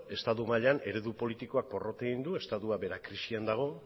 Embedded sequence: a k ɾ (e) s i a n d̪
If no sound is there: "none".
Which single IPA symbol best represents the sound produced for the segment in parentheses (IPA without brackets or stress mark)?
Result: i